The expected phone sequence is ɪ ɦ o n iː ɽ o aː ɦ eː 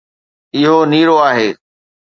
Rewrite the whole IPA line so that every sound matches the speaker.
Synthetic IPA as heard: ɪ ɦ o n iː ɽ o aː ɦ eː